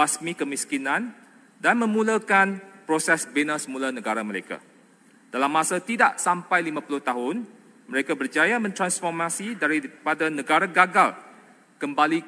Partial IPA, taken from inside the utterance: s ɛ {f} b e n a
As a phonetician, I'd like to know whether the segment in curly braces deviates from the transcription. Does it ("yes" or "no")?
yes